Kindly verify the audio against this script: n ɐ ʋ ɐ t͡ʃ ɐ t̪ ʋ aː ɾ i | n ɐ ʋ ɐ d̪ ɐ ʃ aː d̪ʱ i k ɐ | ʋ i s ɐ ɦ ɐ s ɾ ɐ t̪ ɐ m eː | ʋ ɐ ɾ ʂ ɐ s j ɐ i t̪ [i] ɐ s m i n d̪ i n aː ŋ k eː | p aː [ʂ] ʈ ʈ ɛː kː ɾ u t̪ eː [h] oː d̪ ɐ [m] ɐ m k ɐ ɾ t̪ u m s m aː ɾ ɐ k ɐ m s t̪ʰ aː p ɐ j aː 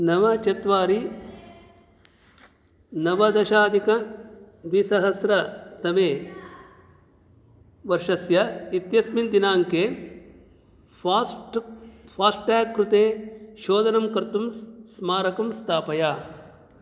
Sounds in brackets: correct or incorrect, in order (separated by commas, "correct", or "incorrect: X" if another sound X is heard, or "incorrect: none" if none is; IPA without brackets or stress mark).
incorrect: j, incorrect: s, incorrect: ʃ, incorrect: n